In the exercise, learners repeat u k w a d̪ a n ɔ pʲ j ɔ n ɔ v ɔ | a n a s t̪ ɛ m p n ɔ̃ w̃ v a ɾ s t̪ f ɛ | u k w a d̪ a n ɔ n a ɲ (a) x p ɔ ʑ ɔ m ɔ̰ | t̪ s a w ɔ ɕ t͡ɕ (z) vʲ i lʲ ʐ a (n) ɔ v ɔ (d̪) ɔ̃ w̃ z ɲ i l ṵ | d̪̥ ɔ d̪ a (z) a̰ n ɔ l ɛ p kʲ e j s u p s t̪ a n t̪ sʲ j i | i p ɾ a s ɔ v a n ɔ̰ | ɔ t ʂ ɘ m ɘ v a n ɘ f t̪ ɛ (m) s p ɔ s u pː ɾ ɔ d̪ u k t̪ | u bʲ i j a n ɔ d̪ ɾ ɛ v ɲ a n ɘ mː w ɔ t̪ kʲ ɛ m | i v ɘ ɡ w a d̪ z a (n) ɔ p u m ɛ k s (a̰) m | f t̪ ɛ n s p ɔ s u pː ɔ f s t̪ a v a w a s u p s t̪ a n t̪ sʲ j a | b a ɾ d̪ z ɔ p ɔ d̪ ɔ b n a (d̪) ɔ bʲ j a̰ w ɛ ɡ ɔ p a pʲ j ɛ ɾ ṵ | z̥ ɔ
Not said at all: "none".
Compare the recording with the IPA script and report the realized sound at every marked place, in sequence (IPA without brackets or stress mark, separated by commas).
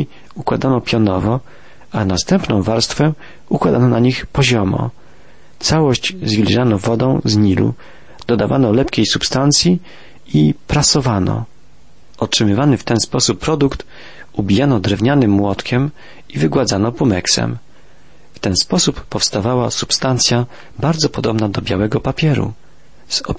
i, z, n, d̪, v, n, n, ɛ̰, d̪